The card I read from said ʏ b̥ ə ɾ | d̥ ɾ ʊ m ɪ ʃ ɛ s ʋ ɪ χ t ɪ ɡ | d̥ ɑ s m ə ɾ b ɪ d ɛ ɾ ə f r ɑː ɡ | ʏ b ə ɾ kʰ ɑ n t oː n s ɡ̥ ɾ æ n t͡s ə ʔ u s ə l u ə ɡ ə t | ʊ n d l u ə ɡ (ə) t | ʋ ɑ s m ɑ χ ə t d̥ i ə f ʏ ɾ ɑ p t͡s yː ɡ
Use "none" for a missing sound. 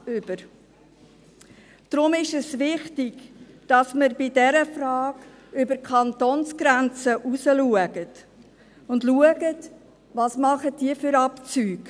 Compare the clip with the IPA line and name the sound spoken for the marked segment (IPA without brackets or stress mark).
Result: ə